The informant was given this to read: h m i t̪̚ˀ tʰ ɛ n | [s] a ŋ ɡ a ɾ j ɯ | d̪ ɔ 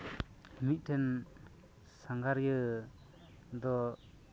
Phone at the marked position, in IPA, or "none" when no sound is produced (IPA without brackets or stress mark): s